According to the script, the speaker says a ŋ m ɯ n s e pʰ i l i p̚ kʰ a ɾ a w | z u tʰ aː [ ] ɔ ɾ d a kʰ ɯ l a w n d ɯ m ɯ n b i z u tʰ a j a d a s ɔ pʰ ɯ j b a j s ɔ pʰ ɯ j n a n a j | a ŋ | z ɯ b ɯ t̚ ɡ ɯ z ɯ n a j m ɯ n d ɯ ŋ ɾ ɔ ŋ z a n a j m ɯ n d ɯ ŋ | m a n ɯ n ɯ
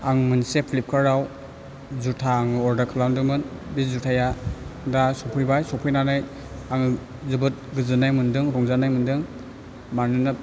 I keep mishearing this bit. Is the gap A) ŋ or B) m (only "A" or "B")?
A